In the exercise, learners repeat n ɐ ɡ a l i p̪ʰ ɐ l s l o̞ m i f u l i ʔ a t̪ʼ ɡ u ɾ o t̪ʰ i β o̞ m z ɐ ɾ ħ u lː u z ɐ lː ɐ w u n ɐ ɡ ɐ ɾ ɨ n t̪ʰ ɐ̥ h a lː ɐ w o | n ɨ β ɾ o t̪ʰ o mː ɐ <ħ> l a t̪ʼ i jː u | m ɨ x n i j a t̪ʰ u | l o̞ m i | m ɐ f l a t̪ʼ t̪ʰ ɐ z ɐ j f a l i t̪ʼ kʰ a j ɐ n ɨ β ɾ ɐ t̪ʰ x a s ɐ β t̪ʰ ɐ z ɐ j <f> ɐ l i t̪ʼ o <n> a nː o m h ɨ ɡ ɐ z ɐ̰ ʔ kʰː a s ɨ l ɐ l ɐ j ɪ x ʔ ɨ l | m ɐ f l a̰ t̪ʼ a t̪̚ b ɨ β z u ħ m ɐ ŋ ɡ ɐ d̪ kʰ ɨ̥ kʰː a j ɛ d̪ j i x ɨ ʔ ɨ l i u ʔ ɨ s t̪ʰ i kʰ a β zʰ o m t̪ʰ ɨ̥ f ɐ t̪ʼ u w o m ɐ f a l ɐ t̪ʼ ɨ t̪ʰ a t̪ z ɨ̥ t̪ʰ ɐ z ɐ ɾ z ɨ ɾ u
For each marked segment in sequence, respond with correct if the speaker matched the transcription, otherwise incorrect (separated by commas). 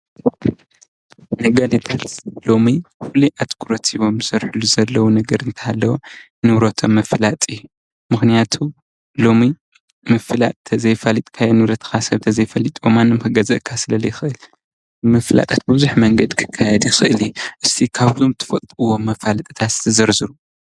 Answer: incorrect, correct, incorrect